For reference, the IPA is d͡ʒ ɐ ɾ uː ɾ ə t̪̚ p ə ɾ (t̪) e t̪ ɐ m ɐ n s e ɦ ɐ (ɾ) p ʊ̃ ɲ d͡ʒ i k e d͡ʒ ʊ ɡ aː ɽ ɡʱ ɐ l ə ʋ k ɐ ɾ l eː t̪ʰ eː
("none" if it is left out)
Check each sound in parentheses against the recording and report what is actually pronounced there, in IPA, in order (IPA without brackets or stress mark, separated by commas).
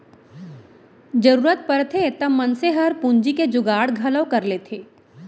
t̪ʰ, ɾ